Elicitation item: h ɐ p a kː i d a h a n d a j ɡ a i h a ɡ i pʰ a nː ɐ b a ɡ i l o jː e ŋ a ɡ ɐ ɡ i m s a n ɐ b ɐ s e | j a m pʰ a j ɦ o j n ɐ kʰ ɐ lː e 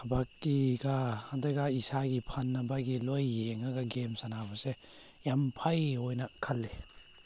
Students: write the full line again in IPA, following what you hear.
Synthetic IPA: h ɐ b a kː i ɡ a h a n d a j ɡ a i s a ɡ i pʰ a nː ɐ b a ɡ i l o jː e ŋ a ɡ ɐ ɡ e m s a n a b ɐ s e | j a m pʰ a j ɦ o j n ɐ kʰ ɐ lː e